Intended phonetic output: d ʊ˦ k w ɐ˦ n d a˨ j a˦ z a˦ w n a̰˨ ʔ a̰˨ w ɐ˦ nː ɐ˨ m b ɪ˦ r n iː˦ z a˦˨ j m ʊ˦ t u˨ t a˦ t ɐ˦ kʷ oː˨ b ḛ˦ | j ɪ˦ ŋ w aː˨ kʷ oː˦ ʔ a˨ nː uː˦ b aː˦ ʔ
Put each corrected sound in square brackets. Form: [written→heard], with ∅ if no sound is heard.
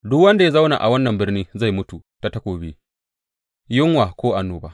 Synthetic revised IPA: d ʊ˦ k w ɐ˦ n d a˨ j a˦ z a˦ w n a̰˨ ʔ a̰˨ w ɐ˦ nː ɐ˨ m b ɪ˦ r n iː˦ z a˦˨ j m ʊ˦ t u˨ t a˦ t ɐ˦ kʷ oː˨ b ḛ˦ | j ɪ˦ ŋ w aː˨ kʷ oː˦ ʔ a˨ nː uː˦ b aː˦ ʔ